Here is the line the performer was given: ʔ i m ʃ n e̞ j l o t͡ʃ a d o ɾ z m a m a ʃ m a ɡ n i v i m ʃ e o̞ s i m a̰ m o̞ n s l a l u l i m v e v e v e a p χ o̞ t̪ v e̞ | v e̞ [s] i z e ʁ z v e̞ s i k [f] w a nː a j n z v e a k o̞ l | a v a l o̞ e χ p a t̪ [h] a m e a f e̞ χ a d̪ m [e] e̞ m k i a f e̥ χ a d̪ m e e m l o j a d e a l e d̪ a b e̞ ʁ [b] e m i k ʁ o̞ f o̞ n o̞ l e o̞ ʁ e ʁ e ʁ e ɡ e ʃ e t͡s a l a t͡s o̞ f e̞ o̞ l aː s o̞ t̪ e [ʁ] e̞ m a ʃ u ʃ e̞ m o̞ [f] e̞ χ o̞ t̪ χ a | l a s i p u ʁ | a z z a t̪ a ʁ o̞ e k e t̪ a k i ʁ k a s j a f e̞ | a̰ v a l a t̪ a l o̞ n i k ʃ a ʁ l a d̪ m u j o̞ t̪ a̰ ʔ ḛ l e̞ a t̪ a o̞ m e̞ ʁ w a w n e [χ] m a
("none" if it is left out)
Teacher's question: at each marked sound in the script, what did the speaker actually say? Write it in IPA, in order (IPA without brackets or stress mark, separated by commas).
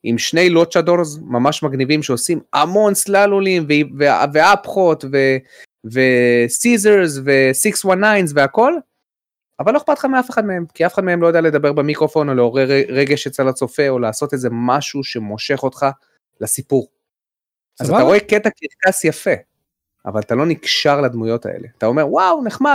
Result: s, s, χ, e, b, z, ʃ, χ